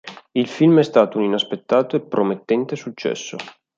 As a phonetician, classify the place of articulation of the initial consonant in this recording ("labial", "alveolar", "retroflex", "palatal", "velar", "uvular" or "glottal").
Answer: alveolar